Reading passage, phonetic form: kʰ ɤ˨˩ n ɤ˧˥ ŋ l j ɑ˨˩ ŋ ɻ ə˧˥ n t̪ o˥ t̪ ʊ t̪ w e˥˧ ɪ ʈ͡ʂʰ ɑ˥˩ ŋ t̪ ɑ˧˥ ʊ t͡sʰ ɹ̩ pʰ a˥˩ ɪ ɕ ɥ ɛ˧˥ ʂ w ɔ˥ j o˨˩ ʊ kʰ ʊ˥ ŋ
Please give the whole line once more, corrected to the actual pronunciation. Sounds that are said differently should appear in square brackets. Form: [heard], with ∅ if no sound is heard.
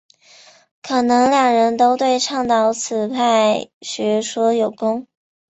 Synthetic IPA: kʰ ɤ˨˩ n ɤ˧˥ ŋ l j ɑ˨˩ ŋ ɻ ə˧˥ n t̪ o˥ [∅] ʊ t̪ w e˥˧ ɪ ʈ͡ʂʰ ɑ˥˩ ŋ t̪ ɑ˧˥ ʊ t͡sʰ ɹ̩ pʰ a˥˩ ɪ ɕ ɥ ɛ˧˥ ʂ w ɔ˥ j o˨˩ ʊ [k] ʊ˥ ŋ